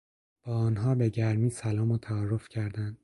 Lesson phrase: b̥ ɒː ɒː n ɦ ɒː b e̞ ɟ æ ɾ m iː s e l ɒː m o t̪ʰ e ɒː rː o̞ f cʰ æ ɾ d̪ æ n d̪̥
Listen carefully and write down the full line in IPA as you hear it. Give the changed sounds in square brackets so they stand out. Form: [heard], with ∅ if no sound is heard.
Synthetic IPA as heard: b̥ ɒː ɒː n ɦ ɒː b e̞ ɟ æ ɾ m iː s [æ] l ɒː m o t̪ʰ [æ] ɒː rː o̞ f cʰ æ ɾ d̪ æ n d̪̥